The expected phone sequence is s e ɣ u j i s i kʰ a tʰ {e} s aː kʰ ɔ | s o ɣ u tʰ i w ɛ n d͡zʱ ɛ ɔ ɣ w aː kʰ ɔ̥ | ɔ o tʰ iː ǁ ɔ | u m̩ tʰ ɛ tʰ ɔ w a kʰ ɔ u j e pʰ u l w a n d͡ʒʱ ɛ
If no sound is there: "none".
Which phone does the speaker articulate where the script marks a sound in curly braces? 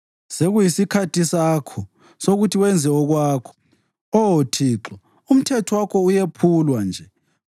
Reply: i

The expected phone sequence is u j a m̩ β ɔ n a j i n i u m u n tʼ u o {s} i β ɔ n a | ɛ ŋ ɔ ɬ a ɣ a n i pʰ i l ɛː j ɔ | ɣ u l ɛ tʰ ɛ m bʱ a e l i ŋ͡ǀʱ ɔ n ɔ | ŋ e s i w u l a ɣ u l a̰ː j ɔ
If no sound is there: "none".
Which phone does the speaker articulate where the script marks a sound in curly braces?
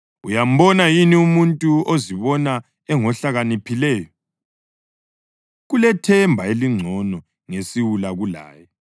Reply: z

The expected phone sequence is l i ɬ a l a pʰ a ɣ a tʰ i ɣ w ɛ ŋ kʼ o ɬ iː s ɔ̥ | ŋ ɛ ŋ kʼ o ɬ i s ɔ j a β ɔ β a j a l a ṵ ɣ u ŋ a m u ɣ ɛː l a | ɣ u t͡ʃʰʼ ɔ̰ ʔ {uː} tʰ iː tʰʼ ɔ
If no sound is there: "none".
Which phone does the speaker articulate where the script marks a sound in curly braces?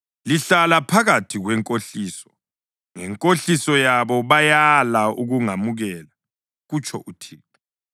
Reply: u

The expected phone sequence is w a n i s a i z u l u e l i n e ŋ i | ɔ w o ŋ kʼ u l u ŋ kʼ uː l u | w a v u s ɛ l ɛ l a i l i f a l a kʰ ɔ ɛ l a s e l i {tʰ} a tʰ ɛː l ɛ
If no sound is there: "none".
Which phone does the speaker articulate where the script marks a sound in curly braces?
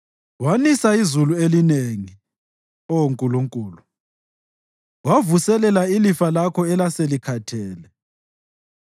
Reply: kʰ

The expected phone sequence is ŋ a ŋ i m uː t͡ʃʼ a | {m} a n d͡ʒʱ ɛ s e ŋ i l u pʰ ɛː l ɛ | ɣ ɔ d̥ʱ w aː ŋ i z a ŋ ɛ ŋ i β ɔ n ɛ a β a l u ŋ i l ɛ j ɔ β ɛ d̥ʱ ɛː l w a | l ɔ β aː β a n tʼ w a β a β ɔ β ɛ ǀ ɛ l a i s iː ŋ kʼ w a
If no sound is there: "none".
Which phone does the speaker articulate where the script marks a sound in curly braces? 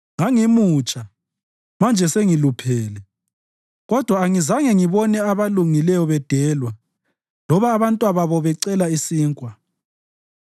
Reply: m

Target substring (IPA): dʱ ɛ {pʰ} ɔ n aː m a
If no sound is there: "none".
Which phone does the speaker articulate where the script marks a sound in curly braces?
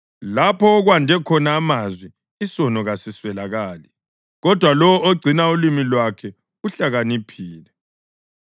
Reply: kʰ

